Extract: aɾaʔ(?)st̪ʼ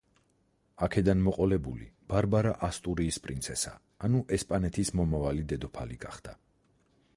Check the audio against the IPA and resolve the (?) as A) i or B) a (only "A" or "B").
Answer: B